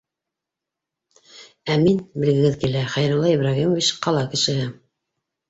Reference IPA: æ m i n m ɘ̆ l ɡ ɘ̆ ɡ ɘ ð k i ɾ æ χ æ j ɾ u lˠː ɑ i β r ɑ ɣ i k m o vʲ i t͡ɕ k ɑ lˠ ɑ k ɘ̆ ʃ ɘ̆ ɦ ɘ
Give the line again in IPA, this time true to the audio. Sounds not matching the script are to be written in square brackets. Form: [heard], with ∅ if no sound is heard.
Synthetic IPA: æ m i n [b] ɘ̆ l ɡ ɘ̆ ɡ ɘ ð k i [l] æ χ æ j ɾ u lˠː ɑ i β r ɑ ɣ i [∅] m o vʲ i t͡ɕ [q] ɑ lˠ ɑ k ɘ̆ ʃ ɘ̆ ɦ ɘ